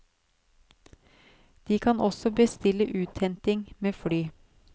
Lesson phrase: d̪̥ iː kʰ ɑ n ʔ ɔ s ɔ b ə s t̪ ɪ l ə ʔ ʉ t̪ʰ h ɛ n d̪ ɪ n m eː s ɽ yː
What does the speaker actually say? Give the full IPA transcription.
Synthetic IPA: d̪̥ iː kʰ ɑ n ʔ ɔ s ɔ b ə s t̪ ɪ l ə ʔ ʉː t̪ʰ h ɛ n t̪ ɪ ŋ m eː f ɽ yː